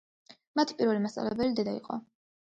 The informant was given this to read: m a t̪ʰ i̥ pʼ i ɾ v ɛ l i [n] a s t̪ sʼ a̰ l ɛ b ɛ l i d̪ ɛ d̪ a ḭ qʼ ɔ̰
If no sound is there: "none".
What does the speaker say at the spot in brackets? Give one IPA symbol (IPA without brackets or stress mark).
m